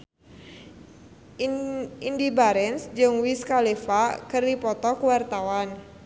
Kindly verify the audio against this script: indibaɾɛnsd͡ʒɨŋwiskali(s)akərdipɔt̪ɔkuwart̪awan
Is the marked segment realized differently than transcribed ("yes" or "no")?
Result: yes